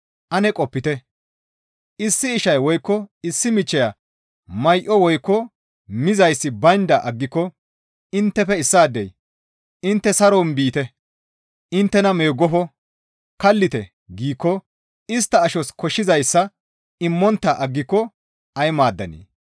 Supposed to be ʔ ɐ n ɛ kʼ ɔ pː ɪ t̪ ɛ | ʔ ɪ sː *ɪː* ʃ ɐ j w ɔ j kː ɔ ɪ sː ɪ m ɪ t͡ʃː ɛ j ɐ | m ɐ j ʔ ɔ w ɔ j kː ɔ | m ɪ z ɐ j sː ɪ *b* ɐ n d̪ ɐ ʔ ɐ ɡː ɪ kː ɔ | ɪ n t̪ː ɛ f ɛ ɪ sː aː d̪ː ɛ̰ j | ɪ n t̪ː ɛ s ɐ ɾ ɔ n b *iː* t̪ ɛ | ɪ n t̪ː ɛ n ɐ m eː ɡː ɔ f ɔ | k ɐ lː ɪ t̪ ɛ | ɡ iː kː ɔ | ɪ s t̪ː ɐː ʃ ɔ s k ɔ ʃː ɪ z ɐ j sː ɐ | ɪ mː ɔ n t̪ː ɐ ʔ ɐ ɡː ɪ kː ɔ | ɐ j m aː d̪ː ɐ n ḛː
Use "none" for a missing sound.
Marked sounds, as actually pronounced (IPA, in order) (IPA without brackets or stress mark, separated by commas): ɪː, b, iː